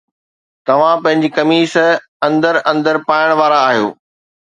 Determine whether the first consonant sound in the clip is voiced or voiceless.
voiceless